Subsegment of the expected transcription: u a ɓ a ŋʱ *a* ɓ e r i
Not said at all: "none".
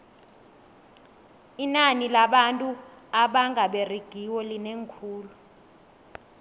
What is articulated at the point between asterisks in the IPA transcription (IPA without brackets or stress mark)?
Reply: a